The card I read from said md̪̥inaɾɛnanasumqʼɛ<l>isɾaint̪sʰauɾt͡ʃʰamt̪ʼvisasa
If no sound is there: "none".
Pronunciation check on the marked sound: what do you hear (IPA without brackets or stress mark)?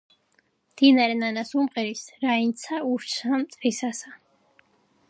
ɾ